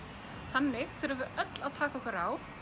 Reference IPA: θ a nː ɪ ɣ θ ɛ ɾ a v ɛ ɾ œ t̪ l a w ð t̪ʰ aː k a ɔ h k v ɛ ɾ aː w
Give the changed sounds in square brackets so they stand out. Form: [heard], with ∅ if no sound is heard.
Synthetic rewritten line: θ a nː ɪ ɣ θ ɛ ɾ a v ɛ ɾ œ t̪ l a [∅] ð t̪ʰ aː k a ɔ h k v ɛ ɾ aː w